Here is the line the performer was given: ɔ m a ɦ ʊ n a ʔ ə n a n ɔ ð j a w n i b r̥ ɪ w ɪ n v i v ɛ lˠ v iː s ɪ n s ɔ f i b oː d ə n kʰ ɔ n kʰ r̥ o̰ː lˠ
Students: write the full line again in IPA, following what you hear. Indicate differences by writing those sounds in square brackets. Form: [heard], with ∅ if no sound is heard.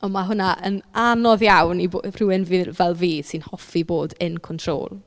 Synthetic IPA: ɔ m a ɦ ʊ n a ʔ ə n a n ɔ ð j a w n i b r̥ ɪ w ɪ n v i v ɛ lˠ v iː s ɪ n [h] ɔ f i b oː d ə n kʰ ɔ n [tʰ] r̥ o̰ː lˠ